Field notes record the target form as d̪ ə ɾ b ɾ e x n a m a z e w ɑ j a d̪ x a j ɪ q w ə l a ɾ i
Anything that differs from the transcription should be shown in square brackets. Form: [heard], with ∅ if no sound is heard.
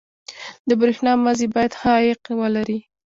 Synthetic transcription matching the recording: d̪ ə [∅] b ɾ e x n [ɑ] m a z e [b] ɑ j a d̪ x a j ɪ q w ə l a ɾ i